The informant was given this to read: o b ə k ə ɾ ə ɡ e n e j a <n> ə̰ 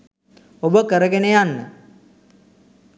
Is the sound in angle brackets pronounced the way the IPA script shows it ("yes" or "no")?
no